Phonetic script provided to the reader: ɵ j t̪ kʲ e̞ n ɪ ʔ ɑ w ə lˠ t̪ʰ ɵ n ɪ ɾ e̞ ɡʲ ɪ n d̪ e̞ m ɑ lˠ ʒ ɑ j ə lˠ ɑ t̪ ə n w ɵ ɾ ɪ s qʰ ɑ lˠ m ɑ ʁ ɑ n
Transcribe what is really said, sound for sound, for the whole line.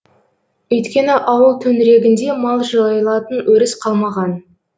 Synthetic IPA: ɵ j t̪ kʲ e̞ n ɪ ʔ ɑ w ə lˠ t̪ʰ ɵ n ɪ ɾ e̞ ɡʲ ɪ n d̪ e̞ m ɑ lˠ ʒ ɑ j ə lˠ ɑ t̪ ə n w ɵ ɾ ɪ s qʰ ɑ lˠ m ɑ ʁ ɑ n

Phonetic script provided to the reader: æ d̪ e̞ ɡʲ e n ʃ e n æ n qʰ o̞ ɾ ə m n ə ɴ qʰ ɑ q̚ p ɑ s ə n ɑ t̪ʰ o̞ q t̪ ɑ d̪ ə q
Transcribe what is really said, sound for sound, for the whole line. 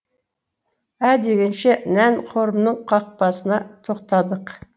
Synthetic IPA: æ d̪ e̞ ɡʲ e n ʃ e n æ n qʰ o̞ ɾ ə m n ə ɴ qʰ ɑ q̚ p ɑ s ə n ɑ t̪ʰ o̞ q t̪ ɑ d̪ ə q

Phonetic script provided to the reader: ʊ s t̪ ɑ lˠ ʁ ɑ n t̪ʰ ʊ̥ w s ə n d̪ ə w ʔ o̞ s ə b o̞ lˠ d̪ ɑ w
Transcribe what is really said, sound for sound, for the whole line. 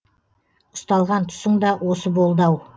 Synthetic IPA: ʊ s t̪ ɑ lˠ ʁ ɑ n t̪ʰ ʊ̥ s ə ɴ d̪ ɑ w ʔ o̞ s ə b o̞ lˠ d̪ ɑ w

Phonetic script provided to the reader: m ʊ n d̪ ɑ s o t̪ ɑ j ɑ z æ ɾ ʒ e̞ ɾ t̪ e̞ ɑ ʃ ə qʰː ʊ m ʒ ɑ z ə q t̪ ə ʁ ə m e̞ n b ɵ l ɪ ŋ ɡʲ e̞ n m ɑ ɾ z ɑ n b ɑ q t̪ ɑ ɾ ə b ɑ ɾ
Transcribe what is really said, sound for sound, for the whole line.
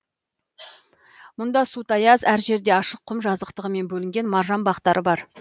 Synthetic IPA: m ʊ n d̪ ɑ s u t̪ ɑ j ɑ z æ ɾ ʒ e̞ ɾ d̪ e̞ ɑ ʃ ə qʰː ʊ m ʒ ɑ z ə q t̪ ə ʁ ə m e̞ n b ɵ l ɪ ŋ ɡʲ e̞ n m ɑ ɾ ʒ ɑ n b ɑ q t̪ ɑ ɾ ə b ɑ ɾ

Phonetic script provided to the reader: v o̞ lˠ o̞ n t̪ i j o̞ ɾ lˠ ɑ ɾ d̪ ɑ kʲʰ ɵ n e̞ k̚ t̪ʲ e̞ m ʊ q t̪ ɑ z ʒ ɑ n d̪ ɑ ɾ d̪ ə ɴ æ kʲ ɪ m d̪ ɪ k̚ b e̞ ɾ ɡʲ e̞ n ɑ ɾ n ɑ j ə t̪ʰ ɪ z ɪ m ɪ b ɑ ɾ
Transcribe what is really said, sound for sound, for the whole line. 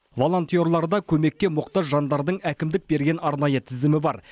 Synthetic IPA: v o̞ lˠ o̞ n t̪ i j o̞ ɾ lˠ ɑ ɾ d̪ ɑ kʲʰ ɵ m e̞ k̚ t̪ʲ e̞ m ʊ q t̪ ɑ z ʒ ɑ n d̪ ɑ ɾ d̪ ə ɴ æ kʲ ɪ m d̪ ɪ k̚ b e̞ ɾ ɡʲ e̞ n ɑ ɾ n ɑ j ə t̪ʰ ɪ z ɪ m ɪ b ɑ ɾ

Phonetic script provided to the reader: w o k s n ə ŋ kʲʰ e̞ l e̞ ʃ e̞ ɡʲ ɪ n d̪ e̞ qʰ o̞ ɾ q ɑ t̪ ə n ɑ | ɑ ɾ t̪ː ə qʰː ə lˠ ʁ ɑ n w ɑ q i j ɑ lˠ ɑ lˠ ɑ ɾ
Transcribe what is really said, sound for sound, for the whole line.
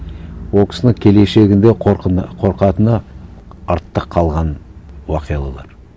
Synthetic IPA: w o k s n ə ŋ kʲʰ e̞ l e̞ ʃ e̞ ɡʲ ɪ n d̪ e̞ qʰ o̞ ɾ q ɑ t̪ ə n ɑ | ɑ ɾ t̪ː ə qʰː ɑ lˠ ʁ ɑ n w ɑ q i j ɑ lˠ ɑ lˠ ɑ ɾ

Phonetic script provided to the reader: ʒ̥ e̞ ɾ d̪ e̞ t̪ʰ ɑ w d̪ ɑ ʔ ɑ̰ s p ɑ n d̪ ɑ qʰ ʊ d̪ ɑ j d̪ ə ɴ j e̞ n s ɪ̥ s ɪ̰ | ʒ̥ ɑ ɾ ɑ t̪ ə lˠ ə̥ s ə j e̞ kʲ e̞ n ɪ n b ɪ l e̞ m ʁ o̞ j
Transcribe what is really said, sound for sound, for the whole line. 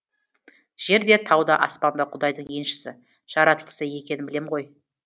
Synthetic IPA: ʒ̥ e̞ ɾ d̪ e̞ t̪ʰ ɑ w d̪ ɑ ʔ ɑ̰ s p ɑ n d̪ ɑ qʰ ʊ d̪ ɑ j d̪ ə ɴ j e̞ n ʃ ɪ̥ s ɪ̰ | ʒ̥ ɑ ɾ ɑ t̪ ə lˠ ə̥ s ə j e̞ kʲ e̞ n ɪ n b ɪ l e̞ m ʁ o̞ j

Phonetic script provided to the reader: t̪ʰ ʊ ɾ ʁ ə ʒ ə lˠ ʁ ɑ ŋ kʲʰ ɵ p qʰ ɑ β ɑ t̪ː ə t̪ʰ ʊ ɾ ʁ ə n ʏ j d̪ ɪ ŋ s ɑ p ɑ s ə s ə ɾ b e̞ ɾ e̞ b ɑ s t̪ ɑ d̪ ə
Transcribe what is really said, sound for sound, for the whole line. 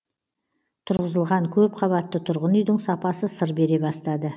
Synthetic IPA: t̪ʰ ʊ ɾ ʁ ə z ə lˠ ʁ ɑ ŋ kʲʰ ɵ p qʰ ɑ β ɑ t̪ː ə t̪ʰ ʊ ɾ ʁ ə n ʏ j d̪ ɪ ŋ s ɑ p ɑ s ə s ə ɾ b e̞ ɾ e̞ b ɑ s t̪ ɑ d̪ ə

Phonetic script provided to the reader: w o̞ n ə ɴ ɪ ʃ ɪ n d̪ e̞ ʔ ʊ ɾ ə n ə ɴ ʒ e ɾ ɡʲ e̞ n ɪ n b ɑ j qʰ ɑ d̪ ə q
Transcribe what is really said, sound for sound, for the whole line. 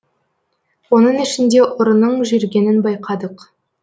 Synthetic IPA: w o̞ n ə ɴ ɪ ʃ ɪ n d̪ e̞ ʔ ʊ ɾ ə n ə ɴ ʒ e ɾ ɡʲ e̞ n ɪ n b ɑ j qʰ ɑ d̪ ə q

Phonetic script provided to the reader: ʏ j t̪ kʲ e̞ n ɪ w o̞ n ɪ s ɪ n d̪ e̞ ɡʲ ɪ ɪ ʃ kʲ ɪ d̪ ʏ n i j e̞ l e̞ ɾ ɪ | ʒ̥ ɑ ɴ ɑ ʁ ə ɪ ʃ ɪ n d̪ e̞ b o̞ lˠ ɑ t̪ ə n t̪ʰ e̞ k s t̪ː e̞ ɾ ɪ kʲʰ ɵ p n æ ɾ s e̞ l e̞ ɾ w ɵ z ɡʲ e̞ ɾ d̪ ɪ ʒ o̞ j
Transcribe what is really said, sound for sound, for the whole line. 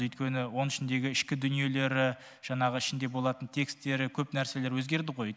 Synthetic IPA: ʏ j t̪ kʲ e̞ n ɪ w o̞ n ɪ ʃ ɪ n d̪ e̞ ɡʲ ɪ ɪ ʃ kʲ ɪ d̪ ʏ n i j e̞ l e̞ ɾ ɪ | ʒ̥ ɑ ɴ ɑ ʁ ə ɪ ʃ ɪ n d̪ e̞ b o̞ lˠ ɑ t̪ ə n t̪ʰ e̞ k s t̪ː e̞ ɾ ɪ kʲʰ ɵ p n æ ɾ s e̞ l e̞ ɾ w ɵ z ɡʲ e̞ ɾ d̪ ɪ ʁ o̞ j

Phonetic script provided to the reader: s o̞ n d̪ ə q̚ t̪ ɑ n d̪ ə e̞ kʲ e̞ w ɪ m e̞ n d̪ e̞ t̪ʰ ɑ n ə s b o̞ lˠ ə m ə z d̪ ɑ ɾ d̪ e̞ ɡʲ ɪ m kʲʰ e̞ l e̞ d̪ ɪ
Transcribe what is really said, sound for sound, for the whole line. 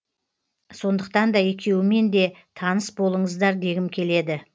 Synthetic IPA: s o̞ n d̪ ə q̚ t̪ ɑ n d̪ ɑ e̞ kʲ e̞ w ɪ m e̞ n d̪ e̞ t̪ʰ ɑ n ə s b o̞ lˠ ə ɴ ə z d̪ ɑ ɾ d̪ e̞ ɡʲ ɪ m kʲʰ e̞ l e̞ d̪ ɪ

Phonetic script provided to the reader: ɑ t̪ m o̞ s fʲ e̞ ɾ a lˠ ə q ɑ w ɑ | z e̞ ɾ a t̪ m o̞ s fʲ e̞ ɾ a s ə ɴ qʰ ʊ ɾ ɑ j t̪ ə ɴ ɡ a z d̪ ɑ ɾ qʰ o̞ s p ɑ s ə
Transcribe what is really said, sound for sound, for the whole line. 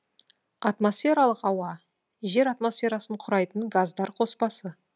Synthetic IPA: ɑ t̪ m o̞ s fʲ e̞ ɾ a lˠ ə q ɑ w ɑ | ʒ e̞ ɾ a t̪ m o̞ s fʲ e̞ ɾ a s ə ɴ qʰ ʊ ɾ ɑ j t̪ ə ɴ ɡ a z d̪ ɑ ɾ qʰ o̞ s p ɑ s ə

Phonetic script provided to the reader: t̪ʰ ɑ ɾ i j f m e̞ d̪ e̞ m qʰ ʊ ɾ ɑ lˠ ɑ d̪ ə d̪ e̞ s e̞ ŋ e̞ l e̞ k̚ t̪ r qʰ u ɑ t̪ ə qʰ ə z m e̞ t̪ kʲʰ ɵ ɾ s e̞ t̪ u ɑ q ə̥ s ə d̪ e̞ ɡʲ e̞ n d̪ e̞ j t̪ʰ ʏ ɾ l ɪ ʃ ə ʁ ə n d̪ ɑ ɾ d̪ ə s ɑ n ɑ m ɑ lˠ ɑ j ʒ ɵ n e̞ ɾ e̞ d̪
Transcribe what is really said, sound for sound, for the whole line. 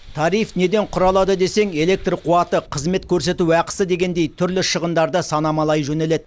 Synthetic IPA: t̪ʰ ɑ ɾ i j f n e̞ d̪ e̞ ɴ qʰ ʊ ɾ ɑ lˠ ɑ d̪ ə d̪ e̞ s e̞ ŋ e̞ l e̞ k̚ t̪ r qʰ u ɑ t̪ ə qʰ ə z m e̞ t̪ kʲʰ ɵ ɾ s e̞ t̪ u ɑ q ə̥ s ə d̪ e̞ ɡʲ e̞ n d̪ e̞ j t̪ʰ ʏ ɾ l ɪ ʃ ə ʁ ə n d̪ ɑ ɾ d̪ ə s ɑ n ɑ m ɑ lˠ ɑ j ʒ ɵ n e̞ l e̞ d̪

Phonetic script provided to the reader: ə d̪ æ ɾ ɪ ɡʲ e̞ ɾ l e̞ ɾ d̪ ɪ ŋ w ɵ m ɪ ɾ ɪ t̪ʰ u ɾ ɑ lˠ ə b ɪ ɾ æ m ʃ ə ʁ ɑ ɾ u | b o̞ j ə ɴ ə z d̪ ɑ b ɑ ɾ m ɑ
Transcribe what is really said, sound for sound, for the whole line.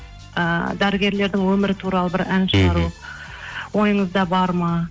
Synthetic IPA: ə d̪ æ ɾ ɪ ɡʲ e̞ ɾ l e̞ ɾ d̪ ɪ ŋ w ɵ m ɪ ɾ ɪ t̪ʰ u ɾ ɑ lˠ ə b ɪ ɾ æ n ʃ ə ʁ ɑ ɾ u | w o̞ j ə ɴ ə z d̪ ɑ b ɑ ɾ m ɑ

